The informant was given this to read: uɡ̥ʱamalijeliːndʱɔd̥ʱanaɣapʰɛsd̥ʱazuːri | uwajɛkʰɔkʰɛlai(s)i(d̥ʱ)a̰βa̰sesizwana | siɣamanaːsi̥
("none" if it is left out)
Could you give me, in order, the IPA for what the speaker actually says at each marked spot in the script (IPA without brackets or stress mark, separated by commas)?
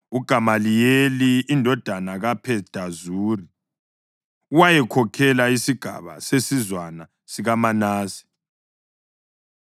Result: s, ɡ̥ʱ